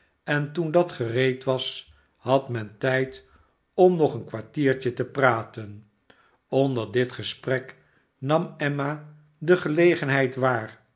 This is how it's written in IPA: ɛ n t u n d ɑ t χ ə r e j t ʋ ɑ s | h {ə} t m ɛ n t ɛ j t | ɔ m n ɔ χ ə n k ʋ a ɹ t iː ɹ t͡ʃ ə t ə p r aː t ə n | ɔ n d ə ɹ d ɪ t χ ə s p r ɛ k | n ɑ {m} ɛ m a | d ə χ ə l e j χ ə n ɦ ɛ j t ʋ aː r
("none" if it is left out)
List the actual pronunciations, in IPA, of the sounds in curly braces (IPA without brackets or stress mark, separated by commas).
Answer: ɑ, m